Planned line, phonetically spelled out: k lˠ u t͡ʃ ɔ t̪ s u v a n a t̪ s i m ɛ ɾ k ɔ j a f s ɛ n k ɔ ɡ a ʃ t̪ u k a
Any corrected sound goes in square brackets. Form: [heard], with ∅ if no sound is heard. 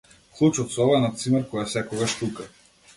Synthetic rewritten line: k lˠ u t͡ʃ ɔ t̪ s [ɔ] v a n a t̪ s i m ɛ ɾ k ɔ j a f s ɛ [∅] k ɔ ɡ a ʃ t̪ u k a